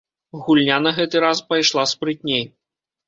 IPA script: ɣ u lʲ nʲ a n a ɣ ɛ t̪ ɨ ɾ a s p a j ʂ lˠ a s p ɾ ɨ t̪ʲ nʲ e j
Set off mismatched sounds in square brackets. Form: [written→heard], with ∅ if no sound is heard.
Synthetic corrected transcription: ɣ u lʲ nʲ a n [a→ɐ] ɣ ɛ t̪ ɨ ɾ a s p a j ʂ lˠ a s p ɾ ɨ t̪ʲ nʲ e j